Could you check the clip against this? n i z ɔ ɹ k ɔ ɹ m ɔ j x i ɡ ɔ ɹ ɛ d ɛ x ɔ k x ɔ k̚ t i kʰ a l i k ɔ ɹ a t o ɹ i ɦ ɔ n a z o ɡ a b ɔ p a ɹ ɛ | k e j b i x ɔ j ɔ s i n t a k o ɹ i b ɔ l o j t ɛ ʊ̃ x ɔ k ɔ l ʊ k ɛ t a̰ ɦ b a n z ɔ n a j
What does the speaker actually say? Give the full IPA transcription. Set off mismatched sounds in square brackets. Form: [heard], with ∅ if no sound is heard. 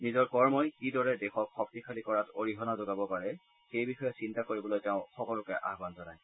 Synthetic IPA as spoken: n i z ɔ ɹ k ɔ ɹ m ɔ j [k] i [d] ɔ ɹ ɛ d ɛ x ɔ k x ɔ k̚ t i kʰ a l i k ɔ ɹ a t o ɹ i ɦ ɔ n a z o ɡ a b ɔ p a ɹ ɛ | [x] e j b i x ɔ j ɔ s i n t a k o ɹ i b ɔ l o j t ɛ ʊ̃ x ɔ k ɔ l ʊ k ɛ [ʔ] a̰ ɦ b a n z ɔ n a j